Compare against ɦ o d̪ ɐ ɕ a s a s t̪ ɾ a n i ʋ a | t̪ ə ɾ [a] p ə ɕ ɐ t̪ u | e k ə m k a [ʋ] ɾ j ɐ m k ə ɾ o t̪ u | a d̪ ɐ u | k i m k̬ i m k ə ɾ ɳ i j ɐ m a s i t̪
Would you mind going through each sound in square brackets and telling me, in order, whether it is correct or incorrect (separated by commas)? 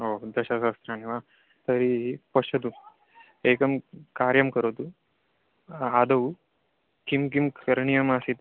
incorrect, incorrect